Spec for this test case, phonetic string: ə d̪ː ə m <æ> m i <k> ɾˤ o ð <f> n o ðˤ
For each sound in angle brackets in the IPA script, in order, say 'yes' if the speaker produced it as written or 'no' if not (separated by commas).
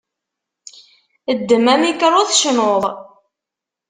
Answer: yes, yes, no